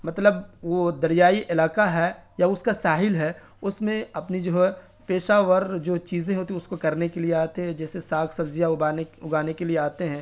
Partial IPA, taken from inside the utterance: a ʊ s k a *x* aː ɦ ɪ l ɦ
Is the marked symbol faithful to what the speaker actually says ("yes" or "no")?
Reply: no